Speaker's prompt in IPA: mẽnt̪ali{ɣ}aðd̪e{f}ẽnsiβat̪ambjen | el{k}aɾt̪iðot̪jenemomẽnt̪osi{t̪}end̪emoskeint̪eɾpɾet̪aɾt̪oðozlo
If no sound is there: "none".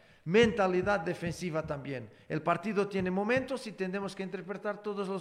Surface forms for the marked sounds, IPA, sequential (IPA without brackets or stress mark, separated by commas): ð, f, p, t̪